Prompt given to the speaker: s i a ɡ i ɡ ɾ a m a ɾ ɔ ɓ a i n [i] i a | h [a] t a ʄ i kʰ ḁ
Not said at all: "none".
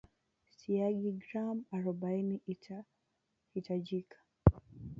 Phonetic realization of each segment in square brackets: i, i

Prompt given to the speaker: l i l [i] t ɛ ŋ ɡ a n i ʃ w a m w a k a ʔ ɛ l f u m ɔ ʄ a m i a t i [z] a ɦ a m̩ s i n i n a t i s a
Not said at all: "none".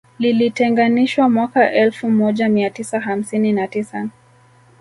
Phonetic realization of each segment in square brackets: i, s

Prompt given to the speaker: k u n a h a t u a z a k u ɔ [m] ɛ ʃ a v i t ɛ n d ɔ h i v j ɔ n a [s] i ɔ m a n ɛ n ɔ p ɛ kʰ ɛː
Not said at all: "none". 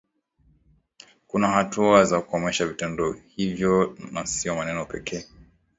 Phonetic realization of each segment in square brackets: m, s

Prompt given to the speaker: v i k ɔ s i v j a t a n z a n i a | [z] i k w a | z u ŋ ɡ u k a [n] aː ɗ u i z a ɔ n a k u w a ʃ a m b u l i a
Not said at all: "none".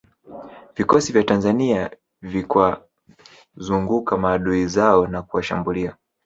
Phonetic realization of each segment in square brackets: v, m

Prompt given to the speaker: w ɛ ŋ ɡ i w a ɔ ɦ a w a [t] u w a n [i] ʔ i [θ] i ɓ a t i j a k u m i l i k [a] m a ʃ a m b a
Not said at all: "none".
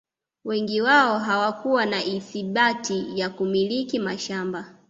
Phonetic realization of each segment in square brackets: k, a, θ, i

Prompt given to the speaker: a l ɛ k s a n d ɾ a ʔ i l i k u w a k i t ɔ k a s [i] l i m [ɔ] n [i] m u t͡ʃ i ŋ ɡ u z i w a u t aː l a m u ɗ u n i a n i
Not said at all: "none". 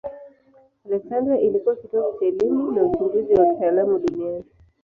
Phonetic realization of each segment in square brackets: ɛ, u, a

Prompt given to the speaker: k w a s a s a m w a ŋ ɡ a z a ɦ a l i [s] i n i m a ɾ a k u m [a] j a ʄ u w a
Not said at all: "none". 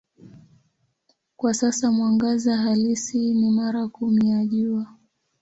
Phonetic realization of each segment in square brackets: s, i

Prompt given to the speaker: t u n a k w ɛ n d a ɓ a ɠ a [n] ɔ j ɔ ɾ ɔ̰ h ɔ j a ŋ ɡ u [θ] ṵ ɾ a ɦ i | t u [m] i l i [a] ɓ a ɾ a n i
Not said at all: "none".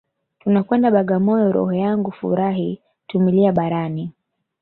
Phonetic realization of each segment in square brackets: m, f, m, a

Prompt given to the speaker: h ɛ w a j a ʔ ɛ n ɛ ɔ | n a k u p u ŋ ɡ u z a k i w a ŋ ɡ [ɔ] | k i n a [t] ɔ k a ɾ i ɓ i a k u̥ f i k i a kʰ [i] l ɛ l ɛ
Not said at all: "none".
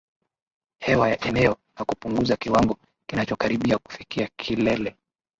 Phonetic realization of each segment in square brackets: ɔ, t͡ʃ, i

